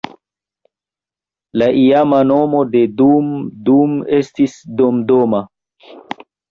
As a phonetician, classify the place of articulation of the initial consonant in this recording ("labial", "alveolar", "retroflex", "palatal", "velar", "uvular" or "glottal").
alveolar